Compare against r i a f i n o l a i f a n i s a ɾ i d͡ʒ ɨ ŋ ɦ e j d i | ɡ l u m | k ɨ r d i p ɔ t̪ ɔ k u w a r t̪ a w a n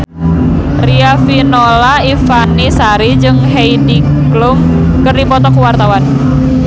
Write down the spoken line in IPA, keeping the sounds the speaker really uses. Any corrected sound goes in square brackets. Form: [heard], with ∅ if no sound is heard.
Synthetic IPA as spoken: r i a f i n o l a i f a n i s a ɾ i d͡ʒ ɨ ŋ ɦ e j d i | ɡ l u m | k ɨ r d i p ɔ t̪ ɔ k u w a r t̪ a w a n